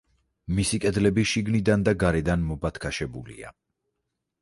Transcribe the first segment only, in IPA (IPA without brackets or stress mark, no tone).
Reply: m